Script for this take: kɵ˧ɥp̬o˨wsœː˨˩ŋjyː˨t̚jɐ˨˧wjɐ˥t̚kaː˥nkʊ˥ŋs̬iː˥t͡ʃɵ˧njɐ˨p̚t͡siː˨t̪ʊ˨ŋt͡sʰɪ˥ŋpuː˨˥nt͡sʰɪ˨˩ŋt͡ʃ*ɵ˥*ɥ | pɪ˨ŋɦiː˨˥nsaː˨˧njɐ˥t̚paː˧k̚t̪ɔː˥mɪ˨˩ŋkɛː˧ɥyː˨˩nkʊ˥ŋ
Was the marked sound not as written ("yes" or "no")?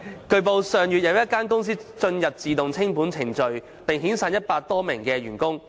yes